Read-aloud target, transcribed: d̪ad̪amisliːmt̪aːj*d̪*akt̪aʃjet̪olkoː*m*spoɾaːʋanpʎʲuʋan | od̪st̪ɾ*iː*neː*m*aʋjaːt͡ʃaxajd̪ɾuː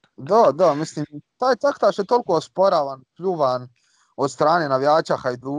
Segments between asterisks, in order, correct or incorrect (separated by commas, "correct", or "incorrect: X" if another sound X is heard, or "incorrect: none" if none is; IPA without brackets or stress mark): incorrect: t̪, incorrect: none, incorrect: aː, incorrect: n